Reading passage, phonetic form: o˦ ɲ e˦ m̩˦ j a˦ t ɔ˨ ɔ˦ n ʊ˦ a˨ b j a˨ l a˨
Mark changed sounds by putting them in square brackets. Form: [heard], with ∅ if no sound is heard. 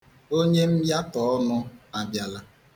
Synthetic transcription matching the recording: o˦ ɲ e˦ m̩˦ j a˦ t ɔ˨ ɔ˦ n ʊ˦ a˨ b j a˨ l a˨

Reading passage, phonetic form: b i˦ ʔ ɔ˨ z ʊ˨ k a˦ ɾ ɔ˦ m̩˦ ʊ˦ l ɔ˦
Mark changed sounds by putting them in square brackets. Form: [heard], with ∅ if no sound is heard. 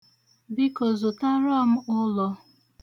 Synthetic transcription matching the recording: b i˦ [k] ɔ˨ z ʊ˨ [t] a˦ ɾ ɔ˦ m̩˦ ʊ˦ l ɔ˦

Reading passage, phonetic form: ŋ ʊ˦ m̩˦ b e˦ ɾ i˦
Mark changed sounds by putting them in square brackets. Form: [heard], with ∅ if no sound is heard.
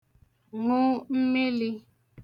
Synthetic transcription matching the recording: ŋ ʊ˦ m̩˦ [m] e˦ [l] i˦

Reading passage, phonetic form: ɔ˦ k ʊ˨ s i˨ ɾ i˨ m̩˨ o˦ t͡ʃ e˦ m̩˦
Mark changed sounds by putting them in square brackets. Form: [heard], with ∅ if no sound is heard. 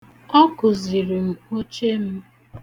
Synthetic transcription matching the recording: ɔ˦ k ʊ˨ [z] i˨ ɾ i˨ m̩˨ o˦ t͡ʃ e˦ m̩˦

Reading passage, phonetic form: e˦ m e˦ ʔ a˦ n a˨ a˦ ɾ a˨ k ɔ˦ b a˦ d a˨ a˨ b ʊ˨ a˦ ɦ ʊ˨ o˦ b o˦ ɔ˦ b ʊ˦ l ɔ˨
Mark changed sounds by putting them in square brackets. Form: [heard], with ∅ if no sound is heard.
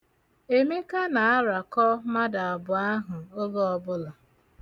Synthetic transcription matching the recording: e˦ m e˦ [k] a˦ n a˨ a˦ ɾ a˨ k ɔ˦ [m] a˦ d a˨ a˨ b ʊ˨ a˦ ɦ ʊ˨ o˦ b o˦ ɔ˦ b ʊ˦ l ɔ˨

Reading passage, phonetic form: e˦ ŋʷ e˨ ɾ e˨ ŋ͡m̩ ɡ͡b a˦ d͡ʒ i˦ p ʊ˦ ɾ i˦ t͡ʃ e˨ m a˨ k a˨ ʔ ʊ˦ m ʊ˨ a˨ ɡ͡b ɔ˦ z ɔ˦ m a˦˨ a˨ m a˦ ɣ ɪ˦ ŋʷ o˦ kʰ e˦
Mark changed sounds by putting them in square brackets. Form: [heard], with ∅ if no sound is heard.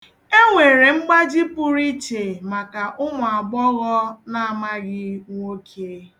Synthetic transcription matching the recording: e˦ ŋʷ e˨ ɾ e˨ ŋ͡m̩ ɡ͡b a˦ d͡ʒ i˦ p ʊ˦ ɾ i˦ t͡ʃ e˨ m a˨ k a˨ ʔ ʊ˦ m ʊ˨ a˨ ɡ͡b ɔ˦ [ɣ] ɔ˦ [n] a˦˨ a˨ m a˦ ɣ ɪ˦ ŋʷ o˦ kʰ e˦

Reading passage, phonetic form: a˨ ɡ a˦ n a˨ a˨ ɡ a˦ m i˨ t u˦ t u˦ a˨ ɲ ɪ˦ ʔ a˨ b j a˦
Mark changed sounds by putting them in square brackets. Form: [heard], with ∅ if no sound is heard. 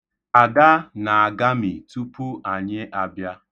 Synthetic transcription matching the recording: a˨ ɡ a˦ n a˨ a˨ ɡ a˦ m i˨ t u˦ [p] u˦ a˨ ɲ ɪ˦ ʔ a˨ b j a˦

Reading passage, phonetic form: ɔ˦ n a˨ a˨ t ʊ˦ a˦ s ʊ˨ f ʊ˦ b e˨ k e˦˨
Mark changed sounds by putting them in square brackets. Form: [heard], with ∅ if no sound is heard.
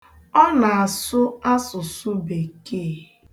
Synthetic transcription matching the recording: ɔ˦ n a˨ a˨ [s] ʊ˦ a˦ s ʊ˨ [s] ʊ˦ b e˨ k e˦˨

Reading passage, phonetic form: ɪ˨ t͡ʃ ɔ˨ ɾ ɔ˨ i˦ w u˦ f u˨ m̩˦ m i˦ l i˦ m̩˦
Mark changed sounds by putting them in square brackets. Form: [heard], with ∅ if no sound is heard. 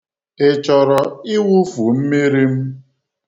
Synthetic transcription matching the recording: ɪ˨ t͡ʃ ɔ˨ ɾ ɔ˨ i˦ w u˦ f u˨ m̩˦ m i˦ [ɾ] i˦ m̩˦

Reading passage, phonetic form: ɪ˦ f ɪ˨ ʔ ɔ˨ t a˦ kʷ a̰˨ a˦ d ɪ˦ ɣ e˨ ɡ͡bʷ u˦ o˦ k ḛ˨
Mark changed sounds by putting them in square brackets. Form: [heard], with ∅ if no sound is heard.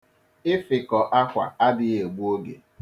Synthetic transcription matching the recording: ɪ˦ f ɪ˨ [k] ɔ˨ [ʔ] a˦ kʷ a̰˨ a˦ d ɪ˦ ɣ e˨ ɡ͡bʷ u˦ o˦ [ɡ] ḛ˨

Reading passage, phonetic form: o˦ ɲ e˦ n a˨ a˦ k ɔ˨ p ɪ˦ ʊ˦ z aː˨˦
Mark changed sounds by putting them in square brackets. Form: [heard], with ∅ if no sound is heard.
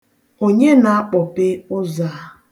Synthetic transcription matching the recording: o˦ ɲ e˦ n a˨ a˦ [k͡p] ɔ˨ p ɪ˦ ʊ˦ z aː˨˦

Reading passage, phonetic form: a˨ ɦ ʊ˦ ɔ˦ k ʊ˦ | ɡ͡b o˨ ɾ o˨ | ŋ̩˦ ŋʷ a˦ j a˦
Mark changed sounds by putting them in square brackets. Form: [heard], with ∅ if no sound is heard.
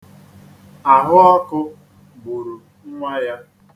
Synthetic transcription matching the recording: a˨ ɦ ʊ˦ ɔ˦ k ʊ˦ | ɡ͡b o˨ ɾ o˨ | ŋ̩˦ ŋʷ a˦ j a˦

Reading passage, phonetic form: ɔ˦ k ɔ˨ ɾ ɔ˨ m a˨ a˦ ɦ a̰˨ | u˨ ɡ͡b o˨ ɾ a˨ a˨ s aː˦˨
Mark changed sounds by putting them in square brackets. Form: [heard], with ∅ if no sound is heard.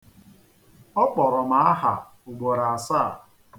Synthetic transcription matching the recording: ɔ˦ [k͡p] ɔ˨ ɾ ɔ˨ m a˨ a˦ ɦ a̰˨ | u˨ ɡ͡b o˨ ɾ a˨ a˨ s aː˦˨

